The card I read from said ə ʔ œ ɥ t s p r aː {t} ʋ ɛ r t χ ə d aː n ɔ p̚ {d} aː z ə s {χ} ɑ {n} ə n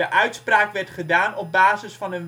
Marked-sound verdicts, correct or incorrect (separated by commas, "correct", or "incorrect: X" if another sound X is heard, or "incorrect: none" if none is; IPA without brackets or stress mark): incorrect: k, incorrect: b, incorrect: f, correct